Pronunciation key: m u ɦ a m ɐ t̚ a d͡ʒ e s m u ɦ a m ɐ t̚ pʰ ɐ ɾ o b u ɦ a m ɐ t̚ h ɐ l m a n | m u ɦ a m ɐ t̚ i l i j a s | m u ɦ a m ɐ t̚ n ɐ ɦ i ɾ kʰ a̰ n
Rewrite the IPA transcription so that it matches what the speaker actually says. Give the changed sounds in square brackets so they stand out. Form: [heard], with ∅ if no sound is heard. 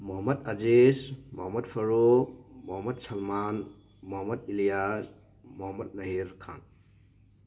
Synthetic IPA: m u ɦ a m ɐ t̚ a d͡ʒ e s m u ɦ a m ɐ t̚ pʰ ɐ ɾ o [m] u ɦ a m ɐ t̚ [s] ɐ l m a n | m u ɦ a m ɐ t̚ i l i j a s | m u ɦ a m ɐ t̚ n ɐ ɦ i ɾ kʰ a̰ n